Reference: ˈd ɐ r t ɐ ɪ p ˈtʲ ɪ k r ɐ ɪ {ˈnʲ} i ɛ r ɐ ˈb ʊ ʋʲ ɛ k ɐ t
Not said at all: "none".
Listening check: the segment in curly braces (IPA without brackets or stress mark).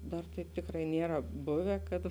nʲ